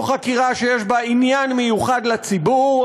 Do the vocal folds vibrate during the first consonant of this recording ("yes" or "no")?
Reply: no